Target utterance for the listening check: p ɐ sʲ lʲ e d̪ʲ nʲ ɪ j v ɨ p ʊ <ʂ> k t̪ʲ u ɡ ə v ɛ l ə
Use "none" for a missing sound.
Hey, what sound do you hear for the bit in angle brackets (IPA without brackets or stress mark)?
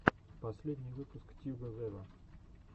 s